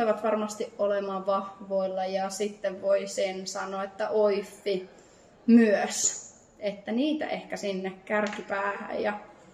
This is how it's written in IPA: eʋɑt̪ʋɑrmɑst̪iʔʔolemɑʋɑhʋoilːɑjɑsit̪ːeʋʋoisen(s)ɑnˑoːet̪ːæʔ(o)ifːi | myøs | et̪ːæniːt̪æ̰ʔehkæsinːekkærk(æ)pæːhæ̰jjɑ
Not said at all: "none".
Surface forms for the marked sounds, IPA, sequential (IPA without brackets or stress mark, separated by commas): s, o, i